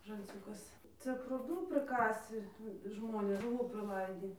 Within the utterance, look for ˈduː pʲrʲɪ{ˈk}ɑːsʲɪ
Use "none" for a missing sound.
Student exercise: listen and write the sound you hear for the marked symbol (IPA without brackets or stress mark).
k